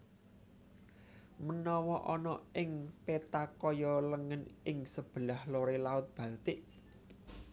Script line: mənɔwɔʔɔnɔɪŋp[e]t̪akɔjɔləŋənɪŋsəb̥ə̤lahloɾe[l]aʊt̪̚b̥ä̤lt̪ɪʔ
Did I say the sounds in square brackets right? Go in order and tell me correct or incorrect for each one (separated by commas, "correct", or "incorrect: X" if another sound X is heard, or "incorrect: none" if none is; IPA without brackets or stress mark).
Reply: correct, correct